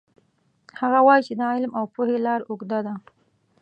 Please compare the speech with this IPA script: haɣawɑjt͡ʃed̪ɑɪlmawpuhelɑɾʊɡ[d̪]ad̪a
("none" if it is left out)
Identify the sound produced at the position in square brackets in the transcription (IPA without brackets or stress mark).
d̪